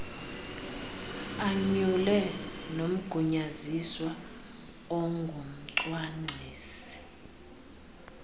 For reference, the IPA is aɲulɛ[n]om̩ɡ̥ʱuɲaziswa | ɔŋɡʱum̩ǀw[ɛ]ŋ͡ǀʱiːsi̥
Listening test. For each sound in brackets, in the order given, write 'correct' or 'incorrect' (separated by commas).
correct, incorrect